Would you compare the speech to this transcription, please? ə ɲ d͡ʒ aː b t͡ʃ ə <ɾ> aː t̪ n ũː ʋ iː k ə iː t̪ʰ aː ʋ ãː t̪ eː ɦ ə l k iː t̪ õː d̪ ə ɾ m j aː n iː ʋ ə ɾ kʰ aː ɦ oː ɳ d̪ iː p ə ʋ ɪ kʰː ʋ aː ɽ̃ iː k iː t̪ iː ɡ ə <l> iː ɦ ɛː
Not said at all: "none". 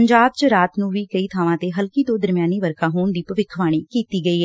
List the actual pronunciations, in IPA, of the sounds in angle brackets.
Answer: ɾ, none

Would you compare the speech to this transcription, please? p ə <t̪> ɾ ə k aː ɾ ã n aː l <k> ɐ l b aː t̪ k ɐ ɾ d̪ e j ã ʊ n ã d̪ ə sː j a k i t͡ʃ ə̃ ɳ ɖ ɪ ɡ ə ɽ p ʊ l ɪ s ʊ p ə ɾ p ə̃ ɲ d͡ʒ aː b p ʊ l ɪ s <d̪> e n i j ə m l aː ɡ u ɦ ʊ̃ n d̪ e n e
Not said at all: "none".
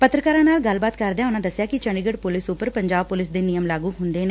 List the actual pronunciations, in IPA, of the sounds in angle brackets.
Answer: t̪, ɡ, d̪

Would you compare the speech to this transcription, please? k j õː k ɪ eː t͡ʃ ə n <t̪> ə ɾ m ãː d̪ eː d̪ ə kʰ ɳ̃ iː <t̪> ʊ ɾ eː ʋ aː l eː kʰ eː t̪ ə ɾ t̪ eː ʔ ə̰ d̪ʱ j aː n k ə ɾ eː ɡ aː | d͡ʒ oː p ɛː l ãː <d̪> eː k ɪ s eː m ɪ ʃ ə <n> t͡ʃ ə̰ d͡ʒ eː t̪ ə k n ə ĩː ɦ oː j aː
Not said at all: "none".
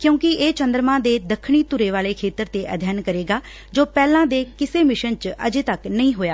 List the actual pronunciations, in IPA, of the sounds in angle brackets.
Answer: d̪, t̪, d̪, n

